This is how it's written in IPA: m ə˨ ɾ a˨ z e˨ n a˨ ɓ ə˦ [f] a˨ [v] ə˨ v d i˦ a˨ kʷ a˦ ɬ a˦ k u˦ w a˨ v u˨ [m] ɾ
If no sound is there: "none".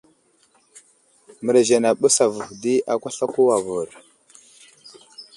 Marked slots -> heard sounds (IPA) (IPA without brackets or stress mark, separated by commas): s, v, none